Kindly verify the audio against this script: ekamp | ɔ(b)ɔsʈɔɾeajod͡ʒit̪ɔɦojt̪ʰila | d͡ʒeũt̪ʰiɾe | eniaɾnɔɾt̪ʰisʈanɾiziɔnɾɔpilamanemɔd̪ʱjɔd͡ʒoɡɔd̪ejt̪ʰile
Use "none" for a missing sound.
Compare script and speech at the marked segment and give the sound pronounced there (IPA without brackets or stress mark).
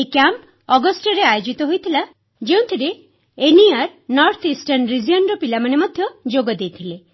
ɡ